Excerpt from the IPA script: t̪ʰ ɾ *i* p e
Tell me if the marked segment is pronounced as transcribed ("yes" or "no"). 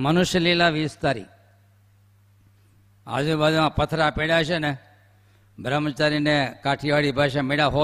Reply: no